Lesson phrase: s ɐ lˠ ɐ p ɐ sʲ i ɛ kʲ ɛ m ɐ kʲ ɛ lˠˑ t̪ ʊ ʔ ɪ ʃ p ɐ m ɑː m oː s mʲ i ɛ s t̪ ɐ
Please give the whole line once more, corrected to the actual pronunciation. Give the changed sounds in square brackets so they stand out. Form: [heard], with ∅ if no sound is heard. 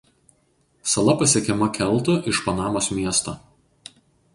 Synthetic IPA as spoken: s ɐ lˠ ɐ p ɐ sʲ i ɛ kʲ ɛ m ɐ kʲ ɛ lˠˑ t̪ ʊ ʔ ɪ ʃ p ɐ [n] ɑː m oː s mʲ i ɛ s t̪ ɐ